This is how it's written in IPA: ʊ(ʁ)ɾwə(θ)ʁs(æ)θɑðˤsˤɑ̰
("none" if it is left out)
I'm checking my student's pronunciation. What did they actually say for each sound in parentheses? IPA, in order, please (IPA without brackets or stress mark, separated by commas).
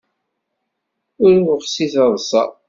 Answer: none, none, i